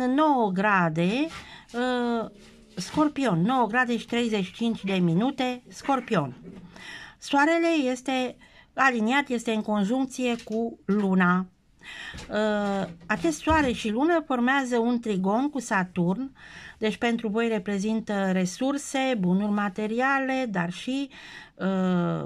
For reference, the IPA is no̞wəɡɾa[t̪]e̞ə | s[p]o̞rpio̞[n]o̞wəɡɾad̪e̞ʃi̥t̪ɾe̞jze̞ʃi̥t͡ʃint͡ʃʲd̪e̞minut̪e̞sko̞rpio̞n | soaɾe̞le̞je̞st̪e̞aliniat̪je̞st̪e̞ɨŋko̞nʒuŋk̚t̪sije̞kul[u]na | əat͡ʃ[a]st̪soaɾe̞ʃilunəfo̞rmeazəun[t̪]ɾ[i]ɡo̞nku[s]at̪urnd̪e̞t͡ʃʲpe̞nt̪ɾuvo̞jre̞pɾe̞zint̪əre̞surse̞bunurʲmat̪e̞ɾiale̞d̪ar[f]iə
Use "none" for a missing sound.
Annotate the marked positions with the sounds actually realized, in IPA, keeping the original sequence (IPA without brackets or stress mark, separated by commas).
d̪, k, nː, u, e, t̪, i, s, ʃ